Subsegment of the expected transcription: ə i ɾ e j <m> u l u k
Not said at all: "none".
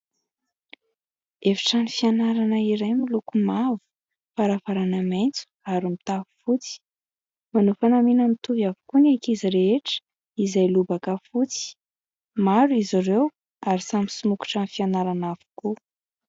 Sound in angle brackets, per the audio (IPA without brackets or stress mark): m